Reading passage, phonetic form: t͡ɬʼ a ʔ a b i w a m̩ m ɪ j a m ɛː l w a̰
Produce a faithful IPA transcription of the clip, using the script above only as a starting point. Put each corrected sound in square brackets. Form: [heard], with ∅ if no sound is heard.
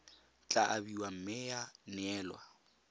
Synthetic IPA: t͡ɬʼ a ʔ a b i w a m̩ m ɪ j a [n] ɛː l w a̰